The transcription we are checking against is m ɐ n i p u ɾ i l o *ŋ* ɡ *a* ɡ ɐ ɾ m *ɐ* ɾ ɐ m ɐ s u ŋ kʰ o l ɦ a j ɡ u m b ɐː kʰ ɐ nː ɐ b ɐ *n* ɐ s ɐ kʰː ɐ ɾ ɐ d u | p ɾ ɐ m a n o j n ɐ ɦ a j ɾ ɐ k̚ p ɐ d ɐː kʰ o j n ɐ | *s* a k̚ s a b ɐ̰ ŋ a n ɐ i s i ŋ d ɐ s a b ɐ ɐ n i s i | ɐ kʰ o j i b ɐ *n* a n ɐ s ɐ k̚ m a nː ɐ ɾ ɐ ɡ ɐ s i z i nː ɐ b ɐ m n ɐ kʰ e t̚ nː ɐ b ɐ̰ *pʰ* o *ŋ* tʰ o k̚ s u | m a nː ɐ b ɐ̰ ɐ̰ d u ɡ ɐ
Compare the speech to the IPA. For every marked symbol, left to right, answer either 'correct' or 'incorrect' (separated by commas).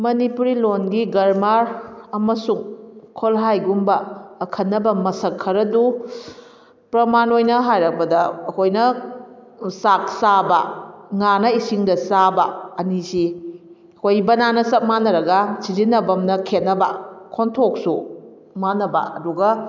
incorrect, incorrect, incorrect, incorrect, correct, correct, incorrect, incorrect